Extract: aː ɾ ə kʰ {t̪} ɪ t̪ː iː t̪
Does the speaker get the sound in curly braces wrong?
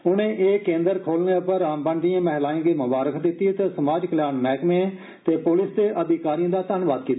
yes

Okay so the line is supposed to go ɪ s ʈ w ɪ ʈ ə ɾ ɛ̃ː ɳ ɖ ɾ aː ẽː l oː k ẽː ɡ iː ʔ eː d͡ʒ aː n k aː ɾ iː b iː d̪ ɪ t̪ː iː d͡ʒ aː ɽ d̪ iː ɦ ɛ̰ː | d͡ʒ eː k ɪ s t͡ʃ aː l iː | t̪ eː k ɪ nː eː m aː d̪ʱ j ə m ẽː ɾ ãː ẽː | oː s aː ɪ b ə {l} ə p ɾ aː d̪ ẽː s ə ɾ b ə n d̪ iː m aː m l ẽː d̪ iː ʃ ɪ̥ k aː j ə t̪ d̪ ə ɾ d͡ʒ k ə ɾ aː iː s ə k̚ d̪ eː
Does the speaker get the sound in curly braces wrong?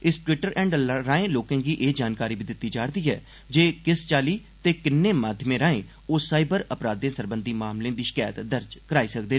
yes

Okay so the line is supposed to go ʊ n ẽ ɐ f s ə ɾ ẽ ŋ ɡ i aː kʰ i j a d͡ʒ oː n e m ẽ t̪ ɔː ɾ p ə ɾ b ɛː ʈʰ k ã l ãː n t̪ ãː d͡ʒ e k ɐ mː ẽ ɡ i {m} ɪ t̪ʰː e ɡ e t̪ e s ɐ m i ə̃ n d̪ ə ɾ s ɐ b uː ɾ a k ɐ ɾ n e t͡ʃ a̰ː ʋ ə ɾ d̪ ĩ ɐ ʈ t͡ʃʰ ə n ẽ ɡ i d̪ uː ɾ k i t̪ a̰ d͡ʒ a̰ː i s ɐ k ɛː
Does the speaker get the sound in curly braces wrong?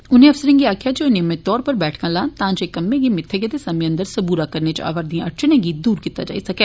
no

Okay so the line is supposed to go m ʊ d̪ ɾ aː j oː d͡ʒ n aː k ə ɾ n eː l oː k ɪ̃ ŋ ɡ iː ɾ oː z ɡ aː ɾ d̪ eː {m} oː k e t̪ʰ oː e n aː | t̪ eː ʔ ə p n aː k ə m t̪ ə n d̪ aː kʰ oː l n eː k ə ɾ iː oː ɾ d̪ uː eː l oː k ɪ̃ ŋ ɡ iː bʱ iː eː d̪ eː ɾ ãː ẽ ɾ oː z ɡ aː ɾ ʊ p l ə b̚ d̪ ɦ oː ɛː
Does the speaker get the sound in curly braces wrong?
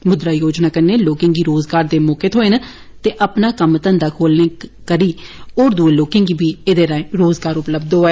no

